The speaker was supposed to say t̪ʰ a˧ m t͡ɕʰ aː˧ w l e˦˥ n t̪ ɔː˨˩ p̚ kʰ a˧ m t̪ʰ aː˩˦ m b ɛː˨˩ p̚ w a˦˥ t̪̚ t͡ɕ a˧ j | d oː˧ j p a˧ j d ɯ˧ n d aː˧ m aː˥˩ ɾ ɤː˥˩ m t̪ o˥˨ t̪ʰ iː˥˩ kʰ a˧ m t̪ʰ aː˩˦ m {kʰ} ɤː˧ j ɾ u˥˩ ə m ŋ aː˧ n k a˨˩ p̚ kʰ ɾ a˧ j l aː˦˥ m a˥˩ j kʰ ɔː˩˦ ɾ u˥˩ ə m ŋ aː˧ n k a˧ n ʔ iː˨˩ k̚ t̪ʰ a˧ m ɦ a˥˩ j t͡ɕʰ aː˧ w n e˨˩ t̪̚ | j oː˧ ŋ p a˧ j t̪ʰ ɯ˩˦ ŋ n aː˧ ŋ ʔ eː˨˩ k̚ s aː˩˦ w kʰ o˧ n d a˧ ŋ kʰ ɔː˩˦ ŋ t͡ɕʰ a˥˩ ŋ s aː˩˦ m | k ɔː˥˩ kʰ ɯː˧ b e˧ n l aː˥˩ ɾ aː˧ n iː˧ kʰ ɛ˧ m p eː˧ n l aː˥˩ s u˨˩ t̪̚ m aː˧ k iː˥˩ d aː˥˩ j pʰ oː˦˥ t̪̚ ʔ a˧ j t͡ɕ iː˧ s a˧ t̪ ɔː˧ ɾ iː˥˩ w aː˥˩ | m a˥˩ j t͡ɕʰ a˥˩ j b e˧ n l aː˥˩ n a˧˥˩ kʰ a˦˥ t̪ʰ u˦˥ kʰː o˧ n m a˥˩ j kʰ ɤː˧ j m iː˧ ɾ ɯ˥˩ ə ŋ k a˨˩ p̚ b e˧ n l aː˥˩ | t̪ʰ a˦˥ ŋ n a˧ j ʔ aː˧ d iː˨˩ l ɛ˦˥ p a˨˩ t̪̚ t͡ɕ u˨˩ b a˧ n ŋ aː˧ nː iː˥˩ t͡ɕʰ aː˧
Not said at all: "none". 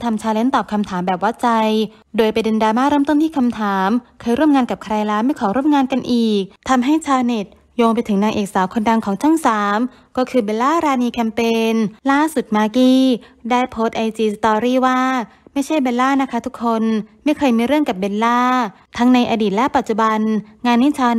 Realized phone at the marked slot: kʰ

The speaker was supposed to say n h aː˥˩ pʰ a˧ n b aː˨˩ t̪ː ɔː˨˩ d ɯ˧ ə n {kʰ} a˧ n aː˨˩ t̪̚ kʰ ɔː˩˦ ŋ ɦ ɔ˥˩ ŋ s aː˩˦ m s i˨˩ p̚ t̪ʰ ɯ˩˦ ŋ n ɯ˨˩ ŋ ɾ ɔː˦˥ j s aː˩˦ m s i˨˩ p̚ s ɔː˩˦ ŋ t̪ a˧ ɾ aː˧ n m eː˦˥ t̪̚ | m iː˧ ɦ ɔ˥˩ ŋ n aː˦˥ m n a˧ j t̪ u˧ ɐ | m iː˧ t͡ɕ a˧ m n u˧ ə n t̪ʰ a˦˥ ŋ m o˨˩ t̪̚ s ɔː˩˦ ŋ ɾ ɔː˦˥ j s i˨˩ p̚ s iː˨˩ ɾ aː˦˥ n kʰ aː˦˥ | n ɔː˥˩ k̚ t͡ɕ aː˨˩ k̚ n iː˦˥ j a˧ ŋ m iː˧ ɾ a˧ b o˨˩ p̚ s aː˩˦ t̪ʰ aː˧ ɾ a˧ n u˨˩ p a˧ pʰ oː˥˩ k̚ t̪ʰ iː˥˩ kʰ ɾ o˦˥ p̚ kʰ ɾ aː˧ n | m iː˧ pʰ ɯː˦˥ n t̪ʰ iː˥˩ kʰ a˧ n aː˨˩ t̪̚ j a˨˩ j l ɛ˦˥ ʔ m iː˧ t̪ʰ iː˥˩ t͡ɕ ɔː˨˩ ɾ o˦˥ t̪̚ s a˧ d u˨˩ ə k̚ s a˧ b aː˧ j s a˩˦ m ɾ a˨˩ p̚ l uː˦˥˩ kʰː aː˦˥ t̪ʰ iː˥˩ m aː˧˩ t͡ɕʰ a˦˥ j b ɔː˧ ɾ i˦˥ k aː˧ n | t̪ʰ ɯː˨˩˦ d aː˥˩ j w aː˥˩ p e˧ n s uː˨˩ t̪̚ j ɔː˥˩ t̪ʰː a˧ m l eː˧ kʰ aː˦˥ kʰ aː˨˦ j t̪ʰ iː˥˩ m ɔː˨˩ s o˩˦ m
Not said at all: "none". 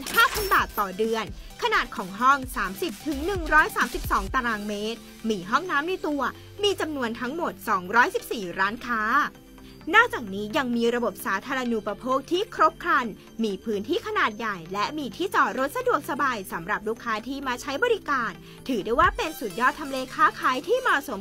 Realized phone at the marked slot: kʰ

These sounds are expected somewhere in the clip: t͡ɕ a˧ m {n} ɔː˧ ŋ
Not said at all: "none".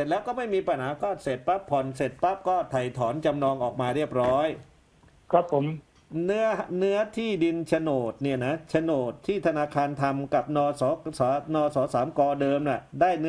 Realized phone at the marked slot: n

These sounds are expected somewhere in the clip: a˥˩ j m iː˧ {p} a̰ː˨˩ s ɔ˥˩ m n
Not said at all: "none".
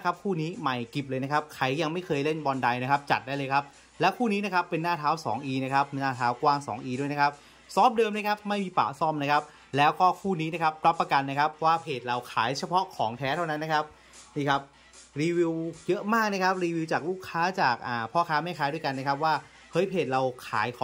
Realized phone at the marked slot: p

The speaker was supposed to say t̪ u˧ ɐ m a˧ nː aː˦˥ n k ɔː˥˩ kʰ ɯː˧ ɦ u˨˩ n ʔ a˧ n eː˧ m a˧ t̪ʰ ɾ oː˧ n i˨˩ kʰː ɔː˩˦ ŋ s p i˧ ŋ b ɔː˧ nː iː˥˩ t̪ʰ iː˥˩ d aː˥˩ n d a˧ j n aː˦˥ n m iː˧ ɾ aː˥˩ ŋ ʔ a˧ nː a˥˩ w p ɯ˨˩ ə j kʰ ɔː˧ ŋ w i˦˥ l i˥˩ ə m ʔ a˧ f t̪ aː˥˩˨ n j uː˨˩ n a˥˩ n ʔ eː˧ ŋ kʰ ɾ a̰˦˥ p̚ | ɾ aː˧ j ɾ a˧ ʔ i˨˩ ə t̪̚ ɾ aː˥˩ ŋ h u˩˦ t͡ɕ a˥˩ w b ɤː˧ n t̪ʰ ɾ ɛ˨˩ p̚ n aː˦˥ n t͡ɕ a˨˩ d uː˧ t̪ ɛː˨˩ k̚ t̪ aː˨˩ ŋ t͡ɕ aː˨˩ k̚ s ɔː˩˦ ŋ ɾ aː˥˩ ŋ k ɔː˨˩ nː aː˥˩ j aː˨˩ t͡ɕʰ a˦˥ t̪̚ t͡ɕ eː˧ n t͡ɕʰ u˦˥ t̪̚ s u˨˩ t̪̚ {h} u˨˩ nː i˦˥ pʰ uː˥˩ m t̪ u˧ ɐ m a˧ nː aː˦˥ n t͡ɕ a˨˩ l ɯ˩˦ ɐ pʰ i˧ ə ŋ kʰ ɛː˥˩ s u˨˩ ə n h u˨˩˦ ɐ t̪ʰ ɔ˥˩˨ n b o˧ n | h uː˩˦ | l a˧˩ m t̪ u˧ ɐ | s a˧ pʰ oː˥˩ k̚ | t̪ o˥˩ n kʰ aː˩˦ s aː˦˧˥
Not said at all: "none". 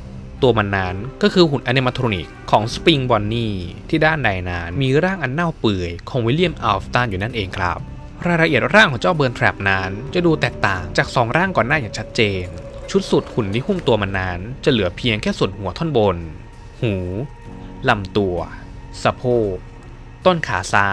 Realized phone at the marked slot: h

